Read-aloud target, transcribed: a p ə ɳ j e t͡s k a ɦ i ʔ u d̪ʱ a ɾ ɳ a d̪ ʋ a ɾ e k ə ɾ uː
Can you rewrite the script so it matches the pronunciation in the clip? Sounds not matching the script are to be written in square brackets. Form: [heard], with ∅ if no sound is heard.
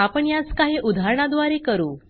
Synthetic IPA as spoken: a p ə ɳ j [a] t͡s k a ɦ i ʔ u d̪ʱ a ɾ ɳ a d̪ ʋ a ɾ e k ə ɾ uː